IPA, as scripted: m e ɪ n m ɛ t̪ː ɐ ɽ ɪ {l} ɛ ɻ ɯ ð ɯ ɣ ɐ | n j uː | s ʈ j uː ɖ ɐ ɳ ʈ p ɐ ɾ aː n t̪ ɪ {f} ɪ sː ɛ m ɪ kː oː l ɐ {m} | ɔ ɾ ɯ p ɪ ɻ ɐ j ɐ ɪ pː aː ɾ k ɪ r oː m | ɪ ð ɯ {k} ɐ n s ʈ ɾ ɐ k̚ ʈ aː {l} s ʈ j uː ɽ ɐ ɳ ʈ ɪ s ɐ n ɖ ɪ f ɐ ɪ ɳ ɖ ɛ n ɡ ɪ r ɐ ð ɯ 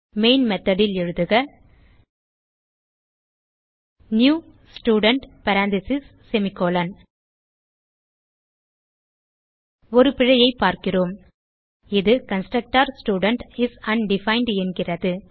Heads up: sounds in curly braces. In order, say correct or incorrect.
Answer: correct, incorrect, incorrect, correct, incorrect

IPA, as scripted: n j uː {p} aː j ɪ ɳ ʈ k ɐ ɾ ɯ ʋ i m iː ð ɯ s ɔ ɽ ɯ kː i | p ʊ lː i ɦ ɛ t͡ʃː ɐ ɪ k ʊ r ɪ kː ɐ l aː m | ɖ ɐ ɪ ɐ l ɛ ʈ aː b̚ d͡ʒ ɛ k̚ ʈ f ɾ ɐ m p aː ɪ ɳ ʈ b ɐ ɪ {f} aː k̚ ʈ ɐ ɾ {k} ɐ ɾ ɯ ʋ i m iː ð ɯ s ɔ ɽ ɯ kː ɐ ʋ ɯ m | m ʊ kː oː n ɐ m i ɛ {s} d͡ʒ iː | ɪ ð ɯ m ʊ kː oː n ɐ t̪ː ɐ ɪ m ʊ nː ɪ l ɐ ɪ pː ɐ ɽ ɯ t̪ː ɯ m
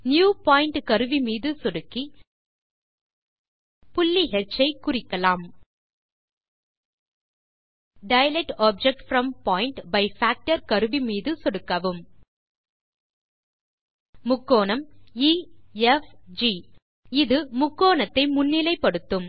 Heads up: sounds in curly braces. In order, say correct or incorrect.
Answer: correct, correct, correct, incorrect

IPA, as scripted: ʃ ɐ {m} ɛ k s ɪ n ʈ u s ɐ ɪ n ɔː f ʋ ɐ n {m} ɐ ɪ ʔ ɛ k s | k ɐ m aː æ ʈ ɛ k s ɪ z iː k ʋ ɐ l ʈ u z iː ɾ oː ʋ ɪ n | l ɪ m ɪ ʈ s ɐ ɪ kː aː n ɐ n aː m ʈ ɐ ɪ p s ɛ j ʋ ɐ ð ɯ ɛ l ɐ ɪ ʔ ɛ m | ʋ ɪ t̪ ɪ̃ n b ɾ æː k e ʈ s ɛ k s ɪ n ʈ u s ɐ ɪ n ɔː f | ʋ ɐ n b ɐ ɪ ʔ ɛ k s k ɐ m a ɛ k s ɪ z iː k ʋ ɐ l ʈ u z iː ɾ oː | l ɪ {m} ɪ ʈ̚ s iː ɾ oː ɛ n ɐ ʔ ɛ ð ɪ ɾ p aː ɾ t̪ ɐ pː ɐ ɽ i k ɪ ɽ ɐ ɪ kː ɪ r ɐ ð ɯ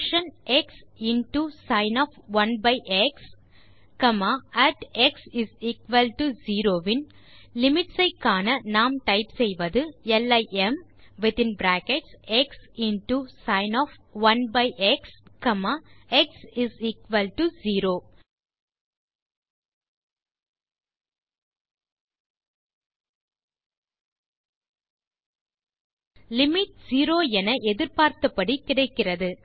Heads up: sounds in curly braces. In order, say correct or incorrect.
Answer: incorrect, incorrect, correct

